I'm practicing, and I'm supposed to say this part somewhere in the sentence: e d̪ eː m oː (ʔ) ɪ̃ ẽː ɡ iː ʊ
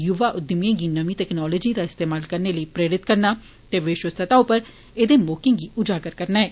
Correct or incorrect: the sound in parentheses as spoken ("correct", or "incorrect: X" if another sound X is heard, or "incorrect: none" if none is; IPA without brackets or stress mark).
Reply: incorrect: k